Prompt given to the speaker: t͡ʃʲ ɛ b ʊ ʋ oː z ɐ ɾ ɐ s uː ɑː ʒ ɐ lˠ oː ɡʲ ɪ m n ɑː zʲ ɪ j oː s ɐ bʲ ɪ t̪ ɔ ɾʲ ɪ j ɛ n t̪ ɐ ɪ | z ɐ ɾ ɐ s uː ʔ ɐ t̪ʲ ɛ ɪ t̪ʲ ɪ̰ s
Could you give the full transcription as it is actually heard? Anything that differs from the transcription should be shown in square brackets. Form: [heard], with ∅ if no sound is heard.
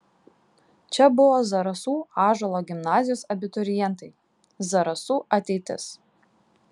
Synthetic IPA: t͡ʃʲ ɛ b ʊ ʋ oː z ɐ ɾ ɐ s uː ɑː ʒ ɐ lˠ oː ɡʲ ɪ m n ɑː zʲ ɪ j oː s ɐ bʲ ɪ t̪ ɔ ɾʲ ɪ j ɛ n t̪ ɐ ɪ | z ɐ ɾ ɐ s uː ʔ ɐ t̪ʲ ɛ ɪ t̪ʲ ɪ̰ s